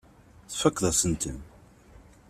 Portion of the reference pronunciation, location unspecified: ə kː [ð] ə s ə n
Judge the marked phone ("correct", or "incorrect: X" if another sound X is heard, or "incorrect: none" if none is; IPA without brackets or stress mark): correct